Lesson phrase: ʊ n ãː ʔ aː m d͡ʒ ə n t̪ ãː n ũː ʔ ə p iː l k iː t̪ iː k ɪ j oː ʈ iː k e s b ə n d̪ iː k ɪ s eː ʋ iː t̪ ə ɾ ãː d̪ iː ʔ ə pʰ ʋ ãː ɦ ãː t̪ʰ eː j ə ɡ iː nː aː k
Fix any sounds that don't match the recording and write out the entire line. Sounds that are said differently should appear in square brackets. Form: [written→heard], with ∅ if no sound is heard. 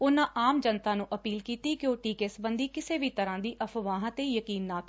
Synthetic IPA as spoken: ʊ n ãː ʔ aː m d͡ʒ ə n t̪ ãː n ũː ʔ ə p iː l k iː t̪ iː k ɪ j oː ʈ iː k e s b ə n d̪ iː k ɪ s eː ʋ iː t̪ ə ɾ ãː d̪ iː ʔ ə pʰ ʋ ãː ɦ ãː [t̪ʰ→t̪] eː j ə [ɡ→k] iː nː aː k